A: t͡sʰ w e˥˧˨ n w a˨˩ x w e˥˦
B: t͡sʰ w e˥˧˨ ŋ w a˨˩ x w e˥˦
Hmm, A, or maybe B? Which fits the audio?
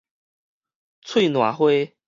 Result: A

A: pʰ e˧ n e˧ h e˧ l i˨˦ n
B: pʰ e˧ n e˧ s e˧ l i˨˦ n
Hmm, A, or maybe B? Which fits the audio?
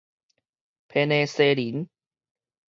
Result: B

